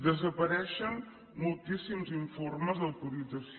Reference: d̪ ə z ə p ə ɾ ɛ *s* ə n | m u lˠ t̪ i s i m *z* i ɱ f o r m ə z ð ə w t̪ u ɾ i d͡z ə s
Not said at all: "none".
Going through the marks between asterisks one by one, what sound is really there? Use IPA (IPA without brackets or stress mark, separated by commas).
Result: ʃ, z